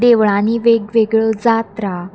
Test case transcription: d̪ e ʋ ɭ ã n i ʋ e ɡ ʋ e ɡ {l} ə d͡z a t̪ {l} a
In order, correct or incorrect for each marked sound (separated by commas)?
incorrect, incorrect